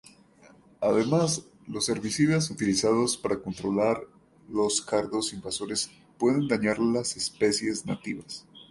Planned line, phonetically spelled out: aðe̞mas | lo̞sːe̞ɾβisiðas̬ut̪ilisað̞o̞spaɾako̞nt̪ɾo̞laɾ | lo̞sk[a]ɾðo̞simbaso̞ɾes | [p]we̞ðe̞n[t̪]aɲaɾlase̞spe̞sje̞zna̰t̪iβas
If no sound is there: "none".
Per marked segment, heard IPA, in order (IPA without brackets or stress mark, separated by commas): a, p, d̪